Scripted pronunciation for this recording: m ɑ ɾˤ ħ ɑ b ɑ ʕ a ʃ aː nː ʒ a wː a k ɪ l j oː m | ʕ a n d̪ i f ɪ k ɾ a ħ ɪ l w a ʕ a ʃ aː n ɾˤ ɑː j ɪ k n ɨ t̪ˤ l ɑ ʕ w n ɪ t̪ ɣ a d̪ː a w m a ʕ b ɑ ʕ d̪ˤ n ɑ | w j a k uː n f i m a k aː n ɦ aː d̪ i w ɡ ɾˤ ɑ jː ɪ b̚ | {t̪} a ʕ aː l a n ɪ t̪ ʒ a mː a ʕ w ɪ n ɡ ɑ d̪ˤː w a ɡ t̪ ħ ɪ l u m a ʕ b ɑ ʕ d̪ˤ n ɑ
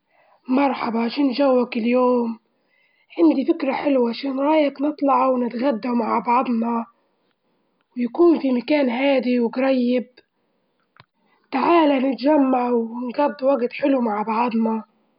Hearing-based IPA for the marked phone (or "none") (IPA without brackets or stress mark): t̪